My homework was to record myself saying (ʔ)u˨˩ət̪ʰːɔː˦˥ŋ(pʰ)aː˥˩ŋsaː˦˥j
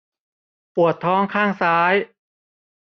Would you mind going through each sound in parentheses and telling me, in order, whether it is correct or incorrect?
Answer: incorrect, incorrect

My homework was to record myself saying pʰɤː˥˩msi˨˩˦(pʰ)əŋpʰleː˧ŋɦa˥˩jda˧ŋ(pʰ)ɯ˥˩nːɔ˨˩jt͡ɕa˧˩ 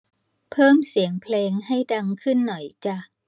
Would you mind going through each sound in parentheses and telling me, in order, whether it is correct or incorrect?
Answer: incorrect, incorrect

